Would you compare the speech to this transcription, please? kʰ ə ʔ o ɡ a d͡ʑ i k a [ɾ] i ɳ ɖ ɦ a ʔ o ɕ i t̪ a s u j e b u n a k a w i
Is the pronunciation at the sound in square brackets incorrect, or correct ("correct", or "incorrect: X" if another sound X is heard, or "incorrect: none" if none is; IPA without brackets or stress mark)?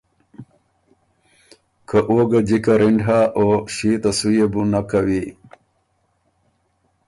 correct